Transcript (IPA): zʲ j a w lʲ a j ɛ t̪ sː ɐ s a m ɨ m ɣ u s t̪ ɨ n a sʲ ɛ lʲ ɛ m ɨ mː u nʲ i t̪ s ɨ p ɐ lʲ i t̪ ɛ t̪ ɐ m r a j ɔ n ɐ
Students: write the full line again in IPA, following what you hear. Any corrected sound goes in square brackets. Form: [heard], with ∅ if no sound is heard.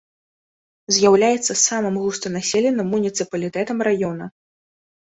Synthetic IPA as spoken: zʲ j a w lʲ a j ɛ t̪ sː ɐ s a m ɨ m ɣ u s t̪ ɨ n a sʲ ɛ lʲ ɛ [n] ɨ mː u nʲ i t̪ s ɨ p ɐ lʲ i t̪ ɛ t̪ ɐ m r a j ɔ n ɐ

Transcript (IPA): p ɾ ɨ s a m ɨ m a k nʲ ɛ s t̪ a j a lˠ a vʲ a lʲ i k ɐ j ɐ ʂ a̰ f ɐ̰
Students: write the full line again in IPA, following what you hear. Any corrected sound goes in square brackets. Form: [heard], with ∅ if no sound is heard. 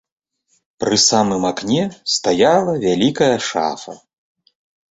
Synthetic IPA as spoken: p ɾ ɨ s a m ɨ m a k nʲ ɛ s t̪ a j a lˠ [ɐ] vʲ a lʲ i k ɐ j ɐ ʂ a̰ f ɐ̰

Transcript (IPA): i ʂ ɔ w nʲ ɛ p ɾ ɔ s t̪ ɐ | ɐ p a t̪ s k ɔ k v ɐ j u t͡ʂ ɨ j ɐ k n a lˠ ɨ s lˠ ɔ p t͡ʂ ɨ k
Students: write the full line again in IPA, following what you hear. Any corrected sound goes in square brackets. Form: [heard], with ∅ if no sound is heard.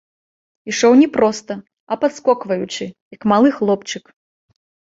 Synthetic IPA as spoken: i ʂ ɔ w nʲ ɛ p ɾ ɔ s t̪ ɐ | ɐ p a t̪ s k ɔ k v ɐ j u t͡ʂ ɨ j ɐ k [m] a lˠ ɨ [x] lˠ ɔ p t͡ʂ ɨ k

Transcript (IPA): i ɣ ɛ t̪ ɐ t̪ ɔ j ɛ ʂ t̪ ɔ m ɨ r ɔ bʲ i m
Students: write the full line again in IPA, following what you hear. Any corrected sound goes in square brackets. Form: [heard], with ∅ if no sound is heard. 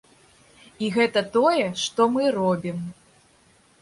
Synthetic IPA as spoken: i ɣ ɛ t̪ ɐ t̪ ɔ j ɛ ʂ t̪ ɔ m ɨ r ɔ bʲ i m

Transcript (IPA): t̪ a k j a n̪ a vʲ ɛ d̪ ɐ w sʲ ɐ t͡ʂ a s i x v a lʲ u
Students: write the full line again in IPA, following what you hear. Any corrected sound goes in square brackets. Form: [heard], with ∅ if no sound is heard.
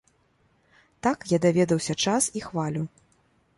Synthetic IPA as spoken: t̪ a k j a [d̪] a vʲ ɛ d̪ ɐ w sʲ ɐ t͡ʂ a s i x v a lʲ u

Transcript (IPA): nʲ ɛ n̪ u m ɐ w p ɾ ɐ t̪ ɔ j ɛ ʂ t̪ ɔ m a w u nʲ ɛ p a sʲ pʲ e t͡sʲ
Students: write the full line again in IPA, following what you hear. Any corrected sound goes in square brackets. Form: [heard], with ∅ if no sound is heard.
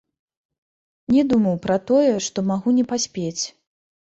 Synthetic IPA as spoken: nʲ ɛ [d̪] u m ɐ w p ɾ ɐ t̪ ɔ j ɛ ʂ t̪ ɔ m a [ɣ] u nʲ ɛ p a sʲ pʲ e t͡sʲ

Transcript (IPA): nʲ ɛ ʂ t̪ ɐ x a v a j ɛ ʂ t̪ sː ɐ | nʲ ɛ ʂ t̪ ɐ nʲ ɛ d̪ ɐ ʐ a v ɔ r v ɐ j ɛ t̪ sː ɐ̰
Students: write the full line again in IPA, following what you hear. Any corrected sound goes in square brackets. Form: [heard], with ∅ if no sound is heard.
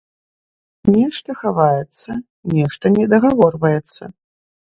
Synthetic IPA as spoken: nʲ ɛ ʂ t̪ ɐ x a v a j ɛ [∅] t̪ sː ɐ | nʲ ɛ ʂ t̪ ɐ nʲ ɛ d̪ ɐ [ɣ] a v ɔ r v ɐ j ɛ t̪ sː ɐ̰

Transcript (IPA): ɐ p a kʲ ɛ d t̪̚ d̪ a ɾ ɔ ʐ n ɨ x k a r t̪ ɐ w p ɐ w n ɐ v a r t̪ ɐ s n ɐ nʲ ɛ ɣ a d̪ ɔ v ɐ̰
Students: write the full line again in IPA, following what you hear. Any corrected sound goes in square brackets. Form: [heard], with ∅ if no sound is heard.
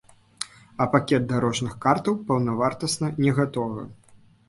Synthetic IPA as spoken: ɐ p a kʲ ɛ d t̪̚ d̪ a ɾ ɔ ʐ n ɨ x k a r t̪ ɐ w p ɐ w n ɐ v a r t̪ ɐ s n ɐ nʲ ɛ ɣ a [t̪] ɔ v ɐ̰

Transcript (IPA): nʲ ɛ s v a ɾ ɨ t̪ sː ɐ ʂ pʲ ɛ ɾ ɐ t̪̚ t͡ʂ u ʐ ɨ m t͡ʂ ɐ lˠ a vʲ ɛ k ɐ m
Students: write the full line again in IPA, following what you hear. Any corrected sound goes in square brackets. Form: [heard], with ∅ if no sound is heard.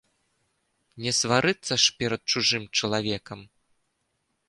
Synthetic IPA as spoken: nʲ ɛ s v a ɾ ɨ t̪ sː ɐ ʂ pʲ ɛ ɾ ɐ t̪̚ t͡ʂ u ʐ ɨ m t͡ʂ ɐ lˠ a vʲ ɛ k ɐ m

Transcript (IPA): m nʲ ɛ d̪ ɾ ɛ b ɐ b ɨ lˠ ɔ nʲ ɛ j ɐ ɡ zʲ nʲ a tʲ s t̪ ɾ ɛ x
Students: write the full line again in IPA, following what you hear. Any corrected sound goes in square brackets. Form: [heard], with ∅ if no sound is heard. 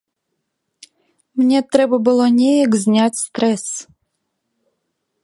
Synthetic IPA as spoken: m nʲ ɛ [t̪] ɾ ɛ b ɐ b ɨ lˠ ɔ nʲ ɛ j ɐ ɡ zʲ nʲ a tʲ s t̪ ɾ ɛ [s]

